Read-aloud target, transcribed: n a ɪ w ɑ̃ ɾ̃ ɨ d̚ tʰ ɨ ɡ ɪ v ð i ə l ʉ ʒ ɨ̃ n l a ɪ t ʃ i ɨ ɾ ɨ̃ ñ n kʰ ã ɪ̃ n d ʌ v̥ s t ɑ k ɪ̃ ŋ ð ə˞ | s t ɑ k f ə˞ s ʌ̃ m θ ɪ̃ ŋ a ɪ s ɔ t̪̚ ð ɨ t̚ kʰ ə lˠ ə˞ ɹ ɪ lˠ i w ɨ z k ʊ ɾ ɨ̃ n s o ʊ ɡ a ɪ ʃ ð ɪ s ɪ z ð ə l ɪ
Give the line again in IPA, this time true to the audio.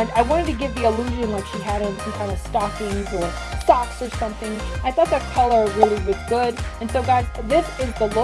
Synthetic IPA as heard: n a ɪ w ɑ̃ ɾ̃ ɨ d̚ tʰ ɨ ɡ ɪ v ð i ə l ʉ ʒ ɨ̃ n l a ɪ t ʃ i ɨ ɾ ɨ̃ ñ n kʰ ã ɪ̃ n d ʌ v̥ s t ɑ k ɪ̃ ŋ z ə˞ | s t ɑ k s ə˞ s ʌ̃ m θ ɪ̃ ŋ a ɪ θ ɔ t̪̚ ð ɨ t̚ kʰ ʌ lˠ ə˞ ɹ ɪ lˠ i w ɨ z ɡ ʊ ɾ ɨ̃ n s o ʊ ɡ a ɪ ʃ ð ɪ s ɪ z ð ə l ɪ

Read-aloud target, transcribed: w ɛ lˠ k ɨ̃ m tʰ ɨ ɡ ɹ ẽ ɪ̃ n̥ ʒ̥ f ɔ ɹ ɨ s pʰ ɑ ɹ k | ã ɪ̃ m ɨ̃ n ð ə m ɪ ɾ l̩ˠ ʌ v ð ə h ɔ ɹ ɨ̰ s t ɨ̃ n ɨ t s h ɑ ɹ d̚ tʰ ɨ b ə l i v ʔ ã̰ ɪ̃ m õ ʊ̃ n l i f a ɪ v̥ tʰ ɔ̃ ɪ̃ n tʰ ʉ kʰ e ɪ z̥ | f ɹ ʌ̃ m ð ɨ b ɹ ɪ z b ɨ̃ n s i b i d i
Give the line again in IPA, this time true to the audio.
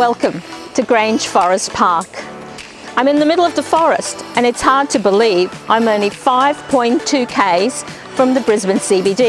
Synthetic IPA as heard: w ɛ lˠ k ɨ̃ m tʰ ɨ ɡ ɹ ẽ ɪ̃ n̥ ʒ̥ f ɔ ɹ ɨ s pʰ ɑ ɹ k | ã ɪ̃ m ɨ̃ n ð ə m ɪ ɾ l̩ˠ ʌ v ð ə f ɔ ɹ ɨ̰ s t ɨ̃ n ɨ t s h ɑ ɹ d̚ tʰ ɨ b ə l i v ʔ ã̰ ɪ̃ m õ ʊ̃ n l i f a ɪ v̥ pʰ ɔ̃ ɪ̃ n tʰ ʉ kʰ e ɪ z̥ | f ɹ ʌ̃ m ð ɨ b ɹ ɪ z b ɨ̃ n s i b i d i

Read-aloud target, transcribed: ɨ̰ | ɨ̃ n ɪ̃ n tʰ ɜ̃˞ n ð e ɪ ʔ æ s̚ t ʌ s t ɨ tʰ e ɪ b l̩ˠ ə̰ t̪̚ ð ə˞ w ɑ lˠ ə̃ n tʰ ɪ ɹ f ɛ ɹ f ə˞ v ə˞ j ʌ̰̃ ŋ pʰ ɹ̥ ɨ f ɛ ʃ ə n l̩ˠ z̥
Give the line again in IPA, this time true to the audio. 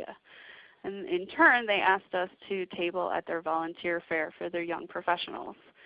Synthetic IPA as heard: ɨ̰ | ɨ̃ n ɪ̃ n tʰ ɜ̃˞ n ð e ɪ ʔ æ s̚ t ʌ s tʰ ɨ tʰ e ɪ b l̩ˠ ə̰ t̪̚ ð ə˞ v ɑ lˠ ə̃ n tʰ ɪ ɹ f ɛ ɹ f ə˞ ð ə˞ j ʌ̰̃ ŋ pʰ ɹ̥ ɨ f ɛ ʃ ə n l̩ˠ z̥

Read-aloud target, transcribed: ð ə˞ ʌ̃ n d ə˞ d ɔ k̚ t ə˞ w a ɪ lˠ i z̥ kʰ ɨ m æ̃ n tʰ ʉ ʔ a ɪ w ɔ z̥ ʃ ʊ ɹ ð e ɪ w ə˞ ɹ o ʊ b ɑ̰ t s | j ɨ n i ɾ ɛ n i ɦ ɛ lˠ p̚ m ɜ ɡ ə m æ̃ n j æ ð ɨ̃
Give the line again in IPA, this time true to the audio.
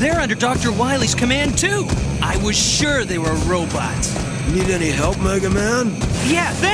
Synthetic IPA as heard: ð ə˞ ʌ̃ n d ə˞ d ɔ k̚ t ə˞ w a ɪ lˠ i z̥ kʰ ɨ m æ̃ n tʰ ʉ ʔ a ɪ w ʌ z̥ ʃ ʊ ɹ ð e ɪ w ə˞ ɹ o ʊ b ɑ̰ t s | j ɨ n i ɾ ɛ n i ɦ ɛ lˠ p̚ m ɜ ɡ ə m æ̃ n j æ ð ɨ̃

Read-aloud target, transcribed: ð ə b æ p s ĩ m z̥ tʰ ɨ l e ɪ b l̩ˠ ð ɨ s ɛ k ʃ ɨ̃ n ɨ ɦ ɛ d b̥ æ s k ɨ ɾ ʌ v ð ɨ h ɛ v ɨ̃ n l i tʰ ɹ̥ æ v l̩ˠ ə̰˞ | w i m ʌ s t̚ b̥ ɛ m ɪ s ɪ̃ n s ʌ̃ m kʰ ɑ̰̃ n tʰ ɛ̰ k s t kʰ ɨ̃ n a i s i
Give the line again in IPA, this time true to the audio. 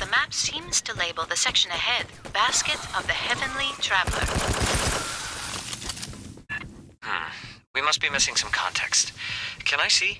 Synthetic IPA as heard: ð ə m æ p s ĩ m z̥ tʰ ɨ l e ɪ b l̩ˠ ð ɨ s ɛ k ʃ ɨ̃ n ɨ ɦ ɛ d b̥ æ s k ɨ ɾ ʌ v ð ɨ h ɛ v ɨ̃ n l i tʰ ɹ̥ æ v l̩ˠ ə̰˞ | w i m ʌ s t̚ b̥ i m ɪ s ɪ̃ ŋ s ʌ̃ m kʰ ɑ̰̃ n tʰ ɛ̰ k s t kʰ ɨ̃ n a ɪ s i

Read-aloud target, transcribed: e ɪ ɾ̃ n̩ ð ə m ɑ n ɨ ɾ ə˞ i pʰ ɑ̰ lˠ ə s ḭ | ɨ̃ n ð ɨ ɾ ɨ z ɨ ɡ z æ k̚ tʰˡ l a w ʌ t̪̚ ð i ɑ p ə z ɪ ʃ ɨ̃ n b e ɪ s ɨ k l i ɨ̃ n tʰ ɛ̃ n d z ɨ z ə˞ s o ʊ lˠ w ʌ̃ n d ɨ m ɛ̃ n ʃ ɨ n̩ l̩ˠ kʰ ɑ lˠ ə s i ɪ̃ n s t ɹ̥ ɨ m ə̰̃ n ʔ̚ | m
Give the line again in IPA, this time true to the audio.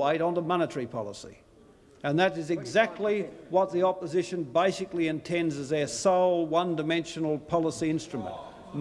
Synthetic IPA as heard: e ɪ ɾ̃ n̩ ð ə m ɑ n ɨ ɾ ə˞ i pʰ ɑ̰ lˠ ə s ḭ | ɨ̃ n ð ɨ ɾ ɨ z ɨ ɡ z æ k̚ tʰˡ l i w ʌ t̪̚ ð i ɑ p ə z ɪ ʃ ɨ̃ n b e ɪ s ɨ k l i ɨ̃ n tʰ ɛ̃ n d z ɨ z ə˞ s o ʊ lˠ w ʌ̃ n d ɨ m ɛ̃ n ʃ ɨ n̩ l̩ˠ pʰ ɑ lˠ ə s i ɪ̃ n s t ɹ̥ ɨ m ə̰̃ n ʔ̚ | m

